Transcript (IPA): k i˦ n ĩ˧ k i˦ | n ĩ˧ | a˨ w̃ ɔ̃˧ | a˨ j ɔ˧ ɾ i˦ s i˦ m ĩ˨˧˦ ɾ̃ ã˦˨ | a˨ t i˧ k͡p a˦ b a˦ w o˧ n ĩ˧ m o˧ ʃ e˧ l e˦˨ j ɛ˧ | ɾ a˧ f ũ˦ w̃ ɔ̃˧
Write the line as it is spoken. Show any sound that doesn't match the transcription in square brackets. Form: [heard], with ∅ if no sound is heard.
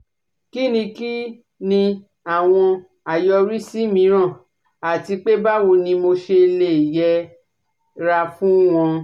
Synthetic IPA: k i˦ n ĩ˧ k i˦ | n ĩ˧ | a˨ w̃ ɔ̃˧ | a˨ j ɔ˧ ɾ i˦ s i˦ m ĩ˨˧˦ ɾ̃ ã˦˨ | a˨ t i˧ k͡p [e˦] b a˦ w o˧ n ĩ˧ m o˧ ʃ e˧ l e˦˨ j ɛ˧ | ɾ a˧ f ũ˦ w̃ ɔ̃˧